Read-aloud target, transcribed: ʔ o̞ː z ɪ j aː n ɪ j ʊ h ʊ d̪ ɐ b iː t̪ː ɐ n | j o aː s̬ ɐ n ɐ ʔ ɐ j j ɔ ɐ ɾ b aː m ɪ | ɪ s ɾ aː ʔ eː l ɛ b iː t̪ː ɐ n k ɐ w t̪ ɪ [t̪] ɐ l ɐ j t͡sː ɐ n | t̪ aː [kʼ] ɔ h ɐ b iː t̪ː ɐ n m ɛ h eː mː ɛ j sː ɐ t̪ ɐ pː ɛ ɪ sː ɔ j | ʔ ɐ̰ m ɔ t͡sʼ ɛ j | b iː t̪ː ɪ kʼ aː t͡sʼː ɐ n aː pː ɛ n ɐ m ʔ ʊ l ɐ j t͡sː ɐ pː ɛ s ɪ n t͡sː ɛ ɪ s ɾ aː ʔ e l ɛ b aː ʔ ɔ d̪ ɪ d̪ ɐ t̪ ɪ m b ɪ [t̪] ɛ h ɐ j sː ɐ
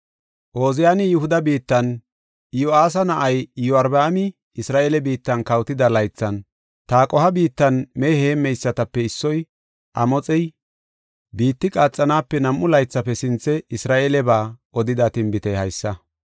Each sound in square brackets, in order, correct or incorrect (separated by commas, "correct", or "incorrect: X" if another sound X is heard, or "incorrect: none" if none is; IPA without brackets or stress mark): incorrect: d̪, correct, correct